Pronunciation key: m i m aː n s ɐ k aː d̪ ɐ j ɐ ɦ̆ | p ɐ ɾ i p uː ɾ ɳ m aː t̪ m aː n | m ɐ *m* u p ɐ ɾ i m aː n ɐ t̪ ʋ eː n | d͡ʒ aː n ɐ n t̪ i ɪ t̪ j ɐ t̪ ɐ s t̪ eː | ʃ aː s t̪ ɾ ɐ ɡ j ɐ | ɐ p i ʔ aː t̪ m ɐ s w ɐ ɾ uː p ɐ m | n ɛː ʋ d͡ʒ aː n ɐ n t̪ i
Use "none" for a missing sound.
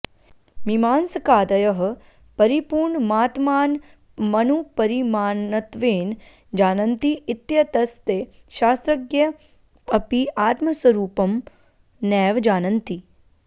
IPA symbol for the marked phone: n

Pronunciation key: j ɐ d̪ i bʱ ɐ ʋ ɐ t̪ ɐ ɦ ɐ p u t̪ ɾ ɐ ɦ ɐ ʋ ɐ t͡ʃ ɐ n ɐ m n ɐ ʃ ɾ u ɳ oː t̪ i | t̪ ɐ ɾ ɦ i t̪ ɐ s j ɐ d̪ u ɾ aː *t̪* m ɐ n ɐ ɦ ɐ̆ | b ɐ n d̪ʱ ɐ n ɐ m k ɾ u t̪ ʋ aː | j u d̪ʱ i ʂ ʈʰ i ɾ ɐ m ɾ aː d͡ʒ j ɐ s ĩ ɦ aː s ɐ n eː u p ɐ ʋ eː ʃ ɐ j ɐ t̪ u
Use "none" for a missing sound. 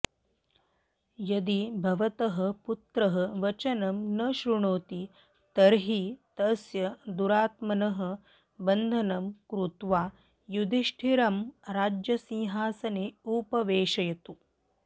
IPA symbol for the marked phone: t̪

